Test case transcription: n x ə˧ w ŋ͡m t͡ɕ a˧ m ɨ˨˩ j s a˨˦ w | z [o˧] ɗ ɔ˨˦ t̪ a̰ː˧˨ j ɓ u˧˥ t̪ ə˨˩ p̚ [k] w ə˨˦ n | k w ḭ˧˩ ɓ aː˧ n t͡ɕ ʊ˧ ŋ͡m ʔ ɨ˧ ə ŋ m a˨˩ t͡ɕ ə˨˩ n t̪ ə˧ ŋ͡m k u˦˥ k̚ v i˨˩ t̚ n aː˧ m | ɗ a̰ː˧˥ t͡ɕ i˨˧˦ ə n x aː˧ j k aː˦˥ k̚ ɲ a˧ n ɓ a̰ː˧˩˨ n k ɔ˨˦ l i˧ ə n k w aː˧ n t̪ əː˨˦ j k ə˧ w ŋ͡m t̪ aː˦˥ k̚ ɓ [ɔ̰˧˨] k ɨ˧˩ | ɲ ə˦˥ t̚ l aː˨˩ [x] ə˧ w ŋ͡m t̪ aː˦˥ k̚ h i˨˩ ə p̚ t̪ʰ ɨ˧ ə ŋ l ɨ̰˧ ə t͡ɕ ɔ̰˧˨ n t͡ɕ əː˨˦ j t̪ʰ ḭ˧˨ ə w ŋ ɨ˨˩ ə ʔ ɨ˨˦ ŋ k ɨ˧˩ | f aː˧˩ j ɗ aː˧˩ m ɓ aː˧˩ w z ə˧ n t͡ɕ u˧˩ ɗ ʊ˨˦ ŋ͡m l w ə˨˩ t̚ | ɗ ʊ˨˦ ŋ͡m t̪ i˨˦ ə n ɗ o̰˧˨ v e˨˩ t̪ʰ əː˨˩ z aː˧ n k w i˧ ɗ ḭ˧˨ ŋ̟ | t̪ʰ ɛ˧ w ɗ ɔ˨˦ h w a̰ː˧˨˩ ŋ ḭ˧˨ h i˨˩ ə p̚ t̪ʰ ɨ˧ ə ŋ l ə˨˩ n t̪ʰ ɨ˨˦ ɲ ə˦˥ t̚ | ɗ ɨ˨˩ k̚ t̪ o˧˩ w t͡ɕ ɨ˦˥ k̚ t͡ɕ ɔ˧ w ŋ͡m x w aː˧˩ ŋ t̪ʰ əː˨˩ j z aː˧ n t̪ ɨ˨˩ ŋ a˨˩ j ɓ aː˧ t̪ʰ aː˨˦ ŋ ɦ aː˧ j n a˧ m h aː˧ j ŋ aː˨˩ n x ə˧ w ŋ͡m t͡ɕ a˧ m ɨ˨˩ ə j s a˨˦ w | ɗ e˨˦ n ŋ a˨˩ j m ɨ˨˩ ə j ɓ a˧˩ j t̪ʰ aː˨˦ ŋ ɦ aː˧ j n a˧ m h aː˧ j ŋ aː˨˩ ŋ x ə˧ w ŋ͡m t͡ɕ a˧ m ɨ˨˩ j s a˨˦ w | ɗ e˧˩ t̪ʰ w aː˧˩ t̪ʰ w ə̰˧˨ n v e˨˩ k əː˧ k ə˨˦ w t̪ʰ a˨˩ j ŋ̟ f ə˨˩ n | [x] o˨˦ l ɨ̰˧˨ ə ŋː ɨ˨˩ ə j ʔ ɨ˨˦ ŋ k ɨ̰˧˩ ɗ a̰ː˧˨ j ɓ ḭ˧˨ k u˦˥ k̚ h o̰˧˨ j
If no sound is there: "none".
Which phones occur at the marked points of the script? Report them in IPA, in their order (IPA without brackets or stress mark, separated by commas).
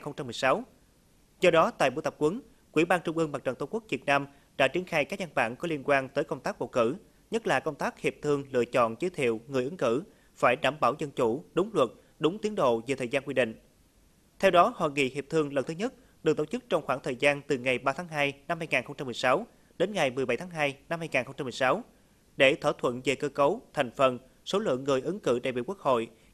ɔ˧, k, o̰˧˨, k, s